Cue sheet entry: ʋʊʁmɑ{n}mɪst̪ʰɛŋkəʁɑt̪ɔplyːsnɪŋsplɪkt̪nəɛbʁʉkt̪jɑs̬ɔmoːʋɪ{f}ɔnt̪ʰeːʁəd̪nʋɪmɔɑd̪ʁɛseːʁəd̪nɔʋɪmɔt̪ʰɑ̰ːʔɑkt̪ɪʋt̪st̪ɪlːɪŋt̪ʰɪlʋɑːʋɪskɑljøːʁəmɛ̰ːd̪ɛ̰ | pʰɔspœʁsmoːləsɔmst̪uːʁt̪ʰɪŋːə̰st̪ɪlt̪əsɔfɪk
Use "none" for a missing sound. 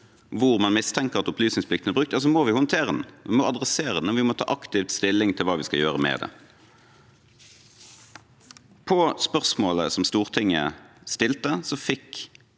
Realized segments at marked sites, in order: n, h

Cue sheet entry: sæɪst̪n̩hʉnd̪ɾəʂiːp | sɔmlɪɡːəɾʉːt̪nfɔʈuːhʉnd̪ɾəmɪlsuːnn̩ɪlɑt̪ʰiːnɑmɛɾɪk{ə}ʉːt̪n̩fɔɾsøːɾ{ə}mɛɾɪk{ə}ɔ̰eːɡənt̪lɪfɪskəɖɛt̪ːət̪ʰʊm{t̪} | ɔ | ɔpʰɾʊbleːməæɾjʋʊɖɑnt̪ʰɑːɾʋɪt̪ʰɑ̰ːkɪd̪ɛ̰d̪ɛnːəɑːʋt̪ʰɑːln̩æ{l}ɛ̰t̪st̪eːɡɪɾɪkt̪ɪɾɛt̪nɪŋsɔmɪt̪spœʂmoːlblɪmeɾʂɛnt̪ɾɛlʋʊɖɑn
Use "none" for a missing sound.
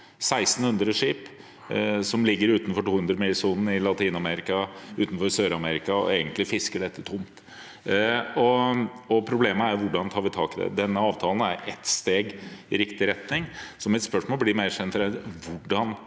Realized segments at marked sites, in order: ɑ, ɑ, ɑ, t̪, ɾ

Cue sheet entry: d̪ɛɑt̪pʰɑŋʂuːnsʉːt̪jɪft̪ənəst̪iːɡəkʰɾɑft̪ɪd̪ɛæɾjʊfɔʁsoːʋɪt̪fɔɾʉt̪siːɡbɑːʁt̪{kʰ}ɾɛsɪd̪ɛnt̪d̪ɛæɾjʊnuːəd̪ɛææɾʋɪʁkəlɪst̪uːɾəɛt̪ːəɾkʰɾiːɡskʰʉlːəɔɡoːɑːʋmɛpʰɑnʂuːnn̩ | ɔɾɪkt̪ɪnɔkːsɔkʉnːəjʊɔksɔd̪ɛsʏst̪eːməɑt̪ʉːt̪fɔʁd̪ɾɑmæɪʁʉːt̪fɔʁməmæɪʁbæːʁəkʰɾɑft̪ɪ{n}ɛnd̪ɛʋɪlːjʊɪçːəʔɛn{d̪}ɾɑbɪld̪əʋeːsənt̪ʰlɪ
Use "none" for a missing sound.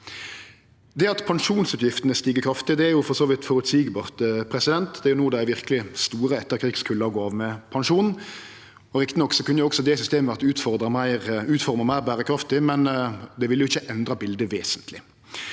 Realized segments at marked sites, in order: pʰ, m, d̪

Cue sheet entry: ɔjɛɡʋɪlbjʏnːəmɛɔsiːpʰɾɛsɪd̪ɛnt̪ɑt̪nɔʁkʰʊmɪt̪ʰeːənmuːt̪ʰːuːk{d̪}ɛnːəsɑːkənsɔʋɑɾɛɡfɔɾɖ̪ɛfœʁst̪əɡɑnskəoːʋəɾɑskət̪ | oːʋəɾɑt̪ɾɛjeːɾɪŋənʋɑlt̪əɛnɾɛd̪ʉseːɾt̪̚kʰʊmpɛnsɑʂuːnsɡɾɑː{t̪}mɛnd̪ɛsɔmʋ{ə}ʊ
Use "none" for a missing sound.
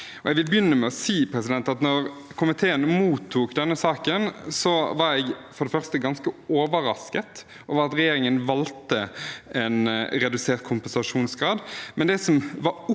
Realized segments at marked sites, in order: d̪, d̪, ɑ

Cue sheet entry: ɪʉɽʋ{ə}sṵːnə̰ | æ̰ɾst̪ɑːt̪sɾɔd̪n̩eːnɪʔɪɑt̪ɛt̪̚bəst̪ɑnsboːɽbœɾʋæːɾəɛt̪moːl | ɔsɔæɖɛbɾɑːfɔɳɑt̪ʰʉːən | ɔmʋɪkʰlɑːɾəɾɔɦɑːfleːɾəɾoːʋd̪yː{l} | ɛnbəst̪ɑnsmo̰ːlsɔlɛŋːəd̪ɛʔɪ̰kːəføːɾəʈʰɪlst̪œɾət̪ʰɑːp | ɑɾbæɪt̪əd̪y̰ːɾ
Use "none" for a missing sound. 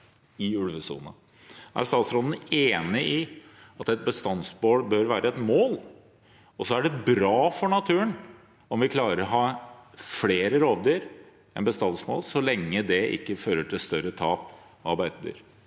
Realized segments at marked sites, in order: ə, ɾ

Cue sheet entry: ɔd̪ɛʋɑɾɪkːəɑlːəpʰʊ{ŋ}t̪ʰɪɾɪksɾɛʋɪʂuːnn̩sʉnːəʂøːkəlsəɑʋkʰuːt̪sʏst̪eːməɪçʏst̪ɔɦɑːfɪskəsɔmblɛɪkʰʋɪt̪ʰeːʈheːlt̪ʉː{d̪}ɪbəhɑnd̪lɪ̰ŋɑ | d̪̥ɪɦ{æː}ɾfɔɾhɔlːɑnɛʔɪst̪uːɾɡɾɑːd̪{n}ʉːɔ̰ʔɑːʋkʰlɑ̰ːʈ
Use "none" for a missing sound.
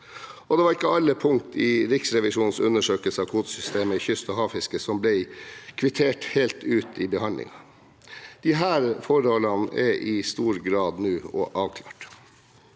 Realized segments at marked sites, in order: ŋ, t̪, æː, n

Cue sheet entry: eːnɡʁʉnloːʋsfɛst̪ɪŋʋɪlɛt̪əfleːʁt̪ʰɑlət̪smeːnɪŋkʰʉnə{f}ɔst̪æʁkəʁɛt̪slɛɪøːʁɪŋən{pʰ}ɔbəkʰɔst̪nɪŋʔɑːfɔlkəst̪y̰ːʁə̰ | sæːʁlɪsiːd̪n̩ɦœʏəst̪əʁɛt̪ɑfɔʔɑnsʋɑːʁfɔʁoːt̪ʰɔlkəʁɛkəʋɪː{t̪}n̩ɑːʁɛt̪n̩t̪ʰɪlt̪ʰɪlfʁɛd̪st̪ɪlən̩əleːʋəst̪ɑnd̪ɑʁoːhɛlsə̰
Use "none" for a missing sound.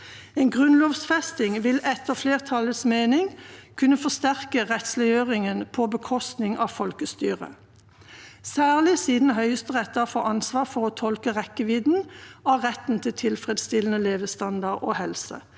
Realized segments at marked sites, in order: f, pʰ, d̪

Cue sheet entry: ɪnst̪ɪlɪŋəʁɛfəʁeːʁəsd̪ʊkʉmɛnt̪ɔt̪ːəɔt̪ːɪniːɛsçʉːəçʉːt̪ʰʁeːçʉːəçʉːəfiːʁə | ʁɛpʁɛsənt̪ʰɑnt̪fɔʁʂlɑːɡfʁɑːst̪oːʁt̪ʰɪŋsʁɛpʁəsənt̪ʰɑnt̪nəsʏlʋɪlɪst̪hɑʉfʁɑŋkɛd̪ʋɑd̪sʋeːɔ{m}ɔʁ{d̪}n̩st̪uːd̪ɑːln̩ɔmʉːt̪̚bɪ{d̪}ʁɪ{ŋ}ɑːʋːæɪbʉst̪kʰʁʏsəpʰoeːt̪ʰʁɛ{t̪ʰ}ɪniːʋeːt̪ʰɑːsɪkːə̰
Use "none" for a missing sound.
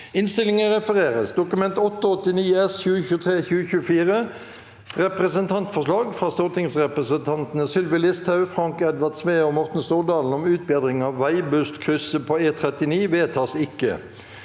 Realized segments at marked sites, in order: m, t̪, d̪, ŋ, t̪

